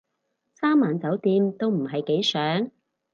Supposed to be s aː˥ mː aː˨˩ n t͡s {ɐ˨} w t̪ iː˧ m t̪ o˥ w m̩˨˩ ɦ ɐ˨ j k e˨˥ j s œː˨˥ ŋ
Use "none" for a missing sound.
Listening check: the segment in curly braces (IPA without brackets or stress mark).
ɐ˨˥